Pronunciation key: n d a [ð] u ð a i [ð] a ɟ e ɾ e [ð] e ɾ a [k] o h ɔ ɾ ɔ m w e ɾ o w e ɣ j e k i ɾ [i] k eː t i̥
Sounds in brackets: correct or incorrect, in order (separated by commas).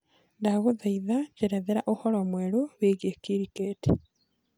incorrect, correct, correct, incorrect, correct